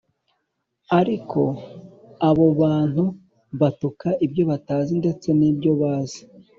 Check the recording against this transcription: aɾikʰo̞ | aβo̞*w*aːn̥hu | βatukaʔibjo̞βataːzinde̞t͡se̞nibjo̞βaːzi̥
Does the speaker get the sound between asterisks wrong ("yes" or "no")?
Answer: yes